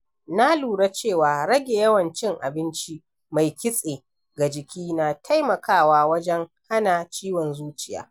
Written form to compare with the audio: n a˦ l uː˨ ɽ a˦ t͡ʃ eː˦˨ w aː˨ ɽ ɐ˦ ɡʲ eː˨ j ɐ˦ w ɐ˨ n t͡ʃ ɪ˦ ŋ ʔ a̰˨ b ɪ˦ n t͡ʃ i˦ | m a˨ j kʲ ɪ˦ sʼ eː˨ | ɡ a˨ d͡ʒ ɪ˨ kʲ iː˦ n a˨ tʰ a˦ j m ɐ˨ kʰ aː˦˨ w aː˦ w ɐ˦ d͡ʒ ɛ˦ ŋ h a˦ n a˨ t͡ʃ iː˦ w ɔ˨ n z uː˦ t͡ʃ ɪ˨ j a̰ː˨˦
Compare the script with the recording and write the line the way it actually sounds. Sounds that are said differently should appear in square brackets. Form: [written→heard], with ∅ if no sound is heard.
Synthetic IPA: n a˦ l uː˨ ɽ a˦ t͡ʃ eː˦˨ w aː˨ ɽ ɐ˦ ɡʲ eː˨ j ɐ˦ w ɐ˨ n t͡ʃ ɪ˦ ŋ ʔ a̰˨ b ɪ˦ n t͡ʃ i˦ | m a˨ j kʲ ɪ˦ sʼ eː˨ | ɡ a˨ d͡ʒ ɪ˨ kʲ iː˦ n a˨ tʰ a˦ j m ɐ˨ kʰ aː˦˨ w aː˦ w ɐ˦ d͡ʒ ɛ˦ ŋ h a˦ n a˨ t͡ʃ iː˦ w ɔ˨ n z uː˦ t͡ʃ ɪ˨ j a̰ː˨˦